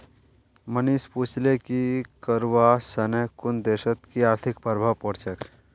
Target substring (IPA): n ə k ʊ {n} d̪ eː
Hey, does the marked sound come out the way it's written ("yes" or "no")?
yes